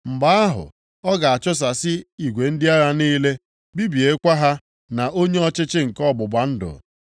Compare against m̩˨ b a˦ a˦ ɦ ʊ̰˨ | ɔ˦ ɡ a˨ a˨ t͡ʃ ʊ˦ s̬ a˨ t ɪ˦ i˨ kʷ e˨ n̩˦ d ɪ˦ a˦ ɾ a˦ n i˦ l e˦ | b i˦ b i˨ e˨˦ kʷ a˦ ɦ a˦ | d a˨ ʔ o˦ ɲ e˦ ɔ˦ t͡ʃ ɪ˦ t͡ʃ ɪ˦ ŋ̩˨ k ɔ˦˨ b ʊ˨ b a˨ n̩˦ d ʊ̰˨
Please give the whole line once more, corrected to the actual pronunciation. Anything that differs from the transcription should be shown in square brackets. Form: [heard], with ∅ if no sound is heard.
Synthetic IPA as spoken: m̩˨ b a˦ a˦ ɦ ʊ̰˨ | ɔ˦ ɡ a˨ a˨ t͡ʃ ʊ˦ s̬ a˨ [s] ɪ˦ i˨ [ɡʷ] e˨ n̩˦ d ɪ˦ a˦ ɾ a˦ n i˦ l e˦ | b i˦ b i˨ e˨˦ kʷ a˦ ɦ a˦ | [n] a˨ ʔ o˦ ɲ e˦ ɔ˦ t͡ʃ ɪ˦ t͡ʃ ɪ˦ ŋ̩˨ k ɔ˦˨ b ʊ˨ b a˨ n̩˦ d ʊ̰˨